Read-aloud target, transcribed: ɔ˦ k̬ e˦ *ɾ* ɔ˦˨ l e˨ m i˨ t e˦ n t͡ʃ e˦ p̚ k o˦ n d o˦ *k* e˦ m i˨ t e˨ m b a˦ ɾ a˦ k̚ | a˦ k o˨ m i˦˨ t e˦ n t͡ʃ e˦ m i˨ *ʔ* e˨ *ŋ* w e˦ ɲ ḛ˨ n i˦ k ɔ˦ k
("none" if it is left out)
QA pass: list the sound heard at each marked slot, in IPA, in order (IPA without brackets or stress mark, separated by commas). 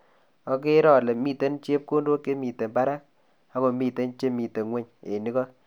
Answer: ɾ, k, t, ŋ